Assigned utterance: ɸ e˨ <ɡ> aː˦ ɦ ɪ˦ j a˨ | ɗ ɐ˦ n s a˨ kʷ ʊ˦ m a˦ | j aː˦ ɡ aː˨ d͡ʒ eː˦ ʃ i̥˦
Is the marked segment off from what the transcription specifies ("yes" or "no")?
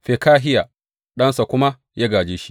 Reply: yes